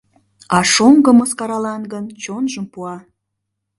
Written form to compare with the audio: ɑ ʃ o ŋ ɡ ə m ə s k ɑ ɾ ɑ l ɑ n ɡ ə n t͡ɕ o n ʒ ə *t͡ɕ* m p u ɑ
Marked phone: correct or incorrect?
incorrect: none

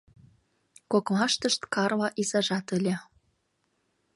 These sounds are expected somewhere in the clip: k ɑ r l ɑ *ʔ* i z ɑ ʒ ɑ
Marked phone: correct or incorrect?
correct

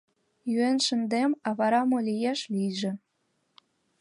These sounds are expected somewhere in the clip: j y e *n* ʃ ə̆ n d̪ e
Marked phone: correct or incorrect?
correct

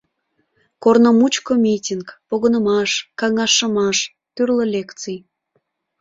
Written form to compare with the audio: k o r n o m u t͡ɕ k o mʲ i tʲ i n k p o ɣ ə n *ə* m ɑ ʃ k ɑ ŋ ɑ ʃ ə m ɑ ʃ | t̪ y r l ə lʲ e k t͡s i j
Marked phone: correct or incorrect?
correct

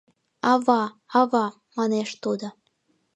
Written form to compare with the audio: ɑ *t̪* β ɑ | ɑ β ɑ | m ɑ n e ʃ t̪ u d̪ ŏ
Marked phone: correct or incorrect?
incorrect: none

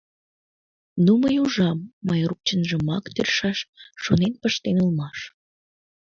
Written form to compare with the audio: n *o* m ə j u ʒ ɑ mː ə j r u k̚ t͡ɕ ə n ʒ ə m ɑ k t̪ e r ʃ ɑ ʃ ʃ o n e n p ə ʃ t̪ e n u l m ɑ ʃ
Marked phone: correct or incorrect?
incorrect: u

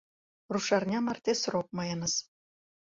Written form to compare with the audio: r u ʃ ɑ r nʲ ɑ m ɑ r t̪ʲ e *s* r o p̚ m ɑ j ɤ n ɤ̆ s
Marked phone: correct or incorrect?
correct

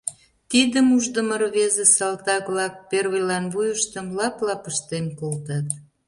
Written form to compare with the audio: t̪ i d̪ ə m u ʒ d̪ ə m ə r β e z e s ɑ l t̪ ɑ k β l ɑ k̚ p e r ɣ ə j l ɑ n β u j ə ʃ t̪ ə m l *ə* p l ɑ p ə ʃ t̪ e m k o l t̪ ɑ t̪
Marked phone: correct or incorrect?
incorrect: ɑ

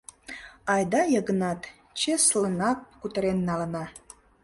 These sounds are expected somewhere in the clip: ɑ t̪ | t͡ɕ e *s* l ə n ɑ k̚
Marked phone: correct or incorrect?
correct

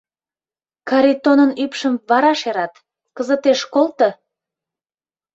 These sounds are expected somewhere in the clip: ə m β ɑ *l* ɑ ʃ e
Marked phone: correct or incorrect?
incorrect: ɾ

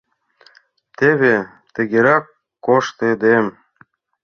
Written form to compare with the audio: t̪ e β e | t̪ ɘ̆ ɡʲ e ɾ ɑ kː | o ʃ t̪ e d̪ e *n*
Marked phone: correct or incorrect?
incorrect: m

